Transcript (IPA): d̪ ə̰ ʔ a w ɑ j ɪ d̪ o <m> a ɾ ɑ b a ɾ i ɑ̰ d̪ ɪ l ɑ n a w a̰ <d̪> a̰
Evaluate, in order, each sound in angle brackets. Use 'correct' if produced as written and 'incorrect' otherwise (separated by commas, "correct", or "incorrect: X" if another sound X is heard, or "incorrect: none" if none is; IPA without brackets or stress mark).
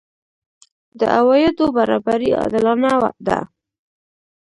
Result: incorrect: b, correct